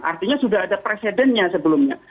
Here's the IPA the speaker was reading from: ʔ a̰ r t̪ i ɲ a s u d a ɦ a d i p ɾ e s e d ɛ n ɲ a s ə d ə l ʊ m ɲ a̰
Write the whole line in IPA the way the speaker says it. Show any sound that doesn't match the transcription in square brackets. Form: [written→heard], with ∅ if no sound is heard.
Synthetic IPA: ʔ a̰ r t̪ i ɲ a s u d a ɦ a d [i→a] p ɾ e s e d ɛ n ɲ a s ə [d→b] ə l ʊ m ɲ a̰